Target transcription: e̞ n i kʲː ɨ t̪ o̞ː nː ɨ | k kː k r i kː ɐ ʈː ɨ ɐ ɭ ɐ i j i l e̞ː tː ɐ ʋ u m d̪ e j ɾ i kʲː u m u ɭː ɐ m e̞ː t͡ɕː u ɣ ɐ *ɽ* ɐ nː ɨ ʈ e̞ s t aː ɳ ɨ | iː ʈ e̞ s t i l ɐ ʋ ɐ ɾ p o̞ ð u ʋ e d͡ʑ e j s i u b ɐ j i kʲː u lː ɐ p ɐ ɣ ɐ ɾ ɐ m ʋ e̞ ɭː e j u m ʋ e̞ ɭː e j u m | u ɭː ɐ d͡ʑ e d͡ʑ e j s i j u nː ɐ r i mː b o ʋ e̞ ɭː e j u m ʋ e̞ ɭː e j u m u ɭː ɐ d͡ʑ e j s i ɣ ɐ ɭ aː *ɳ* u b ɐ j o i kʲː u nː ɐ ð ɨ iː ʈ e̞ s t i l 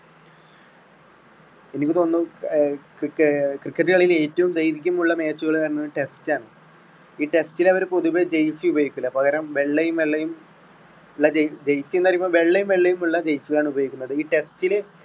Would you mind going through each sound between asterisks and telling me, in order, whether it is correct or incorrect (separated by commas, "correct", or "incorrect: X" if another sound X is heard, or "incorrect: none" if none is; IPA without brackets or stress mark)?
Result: incorrect: ɭ, correct